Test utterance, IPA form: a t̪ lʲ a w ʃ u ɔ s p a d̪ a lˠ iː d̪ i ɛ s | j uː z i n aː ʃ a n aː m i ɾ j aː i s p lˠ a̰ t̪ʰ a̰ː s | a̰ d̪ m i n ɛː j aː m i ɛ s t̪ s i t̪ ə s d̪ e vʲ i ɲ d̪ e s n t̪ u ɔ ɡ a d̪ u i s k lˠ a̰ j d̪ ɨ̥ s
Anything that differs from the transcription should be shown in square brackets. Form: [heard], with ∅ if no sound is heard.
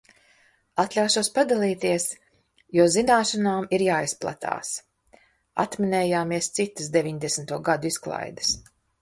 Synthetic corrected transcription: a t̪ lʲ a w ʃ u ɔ s p a d̪ a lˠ iː [t̪] i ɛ s | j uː z i n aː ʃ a n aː m i ɾ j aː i s p lˠ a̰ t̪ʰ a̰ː s | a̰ [t̪] m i n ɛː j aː m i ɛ s t̪ s i t̪ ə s d̪ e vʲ i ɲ d̪ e s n t̪ u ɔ ɡ a d̪ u i s k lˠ a̰ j d̪ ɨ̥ s